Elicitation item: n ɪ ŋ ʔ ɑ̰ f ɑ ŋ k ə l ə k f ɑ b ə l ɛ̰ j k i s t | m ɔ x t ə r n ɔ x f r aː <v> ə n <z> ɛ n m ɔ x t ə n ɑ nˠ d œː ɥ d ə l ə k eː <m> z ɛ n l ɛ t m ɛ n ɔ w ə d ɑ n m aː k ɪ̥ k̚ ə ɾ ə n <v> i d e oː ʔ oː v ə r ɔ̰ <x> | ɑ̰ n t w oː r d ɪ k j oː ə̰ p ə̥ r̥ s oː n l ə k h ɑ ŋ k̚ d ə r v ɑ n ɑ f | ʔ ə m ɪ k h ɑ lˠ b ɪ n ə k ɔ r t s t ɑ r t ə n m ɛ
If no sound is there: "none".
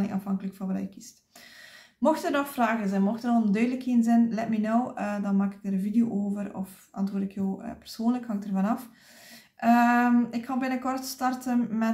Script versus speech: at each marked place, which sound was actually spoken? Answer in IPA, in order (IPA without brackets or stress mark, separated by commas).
ɣ, z, n, v, f